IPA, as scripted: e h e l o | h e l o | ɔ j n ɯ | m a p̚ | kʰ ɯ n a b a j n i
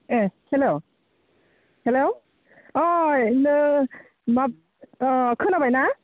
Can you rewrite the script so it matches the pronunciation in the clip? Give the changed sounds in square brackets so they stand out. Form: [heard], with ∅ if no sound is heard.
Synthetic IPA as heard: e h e l o | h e l o | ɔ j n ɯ | m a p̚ | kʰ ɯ n a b a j n [a]